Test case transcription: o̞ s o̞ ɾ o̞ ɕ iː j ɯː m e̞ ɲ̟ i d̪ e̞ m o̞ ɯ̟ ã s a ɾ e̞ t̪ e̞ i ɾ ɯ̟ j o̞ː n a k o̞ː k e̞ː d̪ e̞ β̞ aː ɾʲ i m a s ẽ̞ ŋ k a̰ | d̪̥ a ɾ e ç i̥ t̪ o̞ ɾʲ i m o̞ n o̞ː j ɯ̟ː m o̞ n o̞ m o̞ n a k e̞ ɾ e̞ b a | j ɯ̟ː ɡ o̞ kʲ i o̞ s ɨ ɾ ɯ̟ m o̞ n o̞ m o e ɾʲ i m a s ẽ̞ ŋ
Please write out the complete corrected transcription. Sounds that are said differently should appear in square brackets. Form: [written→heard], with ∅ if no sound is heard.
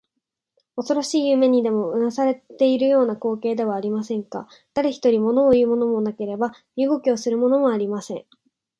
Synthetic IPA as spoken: o̞ s o̞ ɾ o̞ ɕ iː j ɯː m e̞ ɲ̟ i d̪ e̞ m o̞ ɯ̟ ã s a ɾ e̞ t̪ e̞ i ɾ ɯ̟ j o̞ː n a k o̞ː k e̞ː d̪ e̞ β̞ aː ɾʲ i m a s ẽ̞ ŋ k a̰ | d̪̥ a ɾ e ç i̥ t̪ o̞ ɾʲ i m o̞ n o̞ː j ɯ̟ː m o̞ n o̞ m o̞ n a k e̞ ɾ e̞ b a | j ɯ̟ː ɡ o̞ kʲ i o̞ s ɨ ɾ ɯ̟ m o̞ n o̞ m o [e→a] ɾʲ i m a s ẽ̞ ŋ